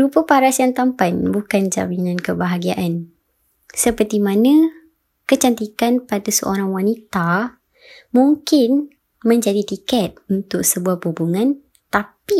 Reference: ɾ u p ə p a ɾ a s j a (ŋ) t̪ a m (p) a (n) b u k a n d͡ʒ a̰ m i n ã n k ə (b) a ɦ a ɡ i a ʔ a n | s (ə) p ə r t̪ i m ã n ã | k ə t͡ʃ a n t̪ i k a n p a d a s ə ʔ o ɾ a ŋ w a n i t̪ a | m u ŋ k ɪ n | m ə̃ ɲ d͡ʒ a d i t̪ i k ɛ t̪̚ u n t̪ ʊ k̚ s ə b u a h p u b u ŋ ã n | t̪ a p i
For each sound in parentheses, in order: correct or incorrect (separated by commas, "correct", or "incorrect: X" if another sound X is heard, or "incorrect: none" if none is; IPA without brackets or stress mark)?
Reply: correct, correct, correct, correct, correct